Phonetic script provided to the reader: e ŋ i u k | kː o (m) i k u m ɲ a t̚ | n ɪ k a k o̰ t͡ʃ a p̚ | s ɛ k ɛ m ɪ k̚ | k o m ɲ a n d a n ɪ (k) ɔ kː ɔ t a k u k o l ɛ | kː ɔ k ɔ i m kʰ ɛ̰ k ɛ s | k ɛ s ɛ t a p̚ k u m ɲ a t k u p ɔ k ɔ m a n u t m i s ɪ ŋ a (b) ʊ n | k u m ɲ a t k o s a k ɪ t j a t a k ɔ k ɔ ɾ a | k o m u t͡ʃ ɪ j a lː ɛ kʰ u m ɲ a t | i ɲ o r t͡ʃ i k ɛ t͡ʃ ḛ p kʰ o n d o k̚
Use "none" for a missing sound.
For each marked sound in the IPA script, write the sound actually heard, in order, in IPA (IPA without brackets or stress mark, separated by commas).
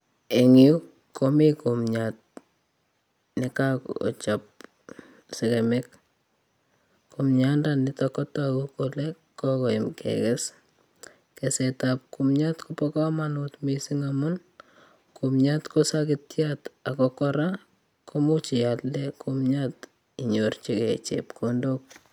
m, t, m